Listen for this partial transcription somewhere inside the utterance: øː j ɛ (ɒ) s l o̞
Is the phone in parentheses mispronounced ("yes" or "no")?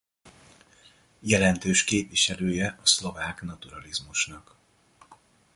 no